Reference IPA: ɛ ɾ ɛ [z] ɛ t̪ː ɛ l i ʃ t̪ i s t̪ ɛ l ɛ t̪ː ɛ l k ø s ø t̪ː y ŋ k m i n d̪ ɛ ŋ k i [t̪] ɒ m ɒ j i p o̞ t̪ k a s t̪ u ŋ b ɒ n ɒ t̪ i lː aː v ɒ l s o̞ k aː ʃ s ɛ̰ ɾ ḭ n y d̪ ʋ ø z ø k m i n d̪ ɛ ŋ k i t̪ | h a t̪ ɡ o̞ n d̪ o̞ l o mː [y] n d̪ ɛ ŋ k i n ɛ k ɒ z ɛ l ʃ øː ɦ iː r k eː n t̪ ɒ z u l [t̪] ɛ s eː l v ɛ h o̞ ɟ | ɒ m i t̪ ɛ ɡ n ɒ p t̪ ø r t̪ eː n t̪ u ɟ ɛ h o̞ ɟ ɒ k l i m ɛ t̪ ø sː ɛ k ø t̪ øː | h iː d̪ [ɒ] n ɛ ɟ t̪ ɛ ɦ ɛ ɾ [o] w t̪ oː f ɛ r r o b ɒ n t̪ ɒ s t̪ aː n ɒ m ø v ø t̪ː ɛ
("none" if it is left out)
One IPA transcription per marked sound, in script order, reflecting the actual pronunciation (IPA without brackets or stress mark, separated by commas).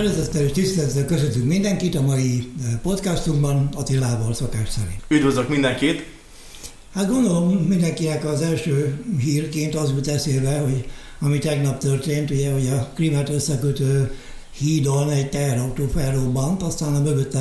z, t̪, i, t̪, o, ɒ